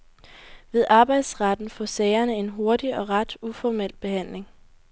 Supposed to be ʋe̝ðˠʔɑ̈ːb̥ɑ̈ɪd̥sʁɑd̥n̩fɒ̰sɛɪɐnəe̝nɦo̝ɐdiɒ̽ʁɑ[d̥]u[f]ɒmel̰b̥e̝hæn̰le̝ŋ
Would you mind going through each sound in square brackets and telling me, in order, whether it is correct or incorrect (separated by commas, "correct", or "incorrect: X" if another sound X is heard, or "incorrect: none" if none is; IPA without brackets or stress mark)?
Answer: correct, correct